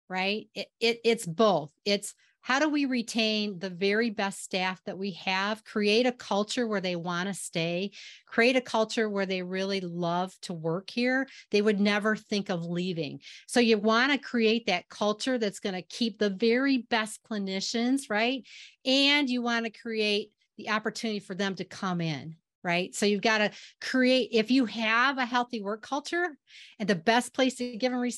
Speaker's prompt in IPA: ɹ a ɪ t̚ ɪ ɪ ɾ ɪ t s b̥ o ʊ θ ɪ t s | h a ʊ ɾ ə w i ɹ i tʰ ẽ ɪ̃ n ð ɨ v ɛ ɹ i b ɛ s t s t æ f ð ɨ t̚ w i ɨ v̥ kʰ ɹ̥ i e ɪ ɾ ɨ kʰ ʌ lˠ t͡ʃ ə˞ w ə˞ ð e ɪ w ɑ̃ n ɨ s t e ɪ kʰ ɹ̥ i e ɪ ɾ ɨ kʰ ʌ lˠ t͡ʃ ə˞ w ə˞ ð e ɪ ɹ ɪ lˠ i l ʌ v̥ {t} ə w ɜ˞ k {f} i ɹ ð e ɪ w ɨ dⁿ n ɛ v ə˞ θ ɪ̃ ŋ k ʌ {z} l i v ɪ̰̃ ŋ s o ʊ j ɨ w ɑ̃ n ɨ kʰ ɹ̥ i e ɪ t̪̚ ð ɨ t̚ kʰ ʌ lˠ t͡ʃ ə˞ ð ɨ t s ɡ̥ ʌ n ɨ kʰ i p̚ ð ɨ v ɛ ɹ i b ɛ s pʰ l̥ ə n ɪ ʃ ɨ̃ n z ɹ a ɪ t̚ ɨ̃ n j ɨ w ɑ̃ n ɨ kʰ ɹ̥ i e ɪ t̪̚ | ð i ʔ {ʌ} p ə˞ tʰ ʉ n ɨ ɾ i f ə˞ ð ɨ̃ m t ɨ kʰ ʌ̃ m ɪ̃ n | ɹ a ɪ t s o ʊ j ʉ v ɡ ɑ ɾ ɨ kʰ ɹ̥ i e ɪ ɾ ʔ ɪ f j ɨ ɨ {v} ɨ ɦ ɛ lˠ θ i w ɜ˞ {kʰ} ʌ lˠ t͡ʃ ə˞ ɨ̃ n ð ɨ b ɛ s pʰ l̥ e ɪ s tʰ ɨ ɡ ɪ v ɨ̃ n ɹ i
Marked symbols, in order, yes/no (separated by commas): no, no, no, no, yes, yes